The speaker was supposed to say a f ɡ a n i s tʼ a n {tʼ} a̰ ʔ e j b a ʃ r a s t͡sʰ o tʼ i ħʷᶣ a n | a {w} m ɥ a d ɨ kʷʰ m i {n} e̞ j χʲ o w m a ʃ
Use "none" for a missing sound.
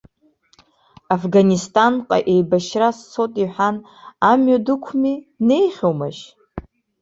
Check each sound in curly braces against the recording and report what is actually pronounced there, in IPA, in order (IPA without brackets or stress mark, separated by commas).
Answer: qʼ, none, n